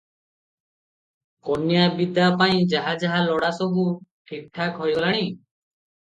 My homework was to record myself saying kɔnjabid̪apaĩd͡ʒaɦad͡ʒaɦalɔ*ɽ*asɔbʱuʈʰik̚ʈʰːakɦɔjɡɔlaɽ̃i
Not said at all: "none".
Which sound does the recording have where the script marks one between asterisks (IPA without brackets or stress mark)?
ɽ